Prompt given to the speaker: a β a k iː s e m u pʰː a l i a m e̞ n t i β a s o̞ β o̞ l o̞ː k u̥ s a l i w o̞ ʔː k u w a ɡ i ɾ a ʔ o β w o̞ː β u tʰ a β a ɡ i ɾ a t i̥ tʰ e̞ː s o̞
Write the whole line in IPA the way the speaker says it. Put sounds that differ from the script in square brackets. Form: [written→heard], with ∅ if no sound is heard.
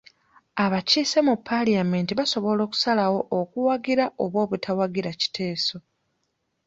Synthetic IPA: a β a [k→c] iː s e m u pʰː a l i a m e̞ n t i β a s o̞ β o̞ l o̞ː k u̥ s a l [i→a] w o̞ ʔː k u w a ɡ i ɾ a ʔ o β w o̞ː β u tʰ a [β→w] a ɡ i ɾ a [t→c] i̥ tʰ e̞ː s o̞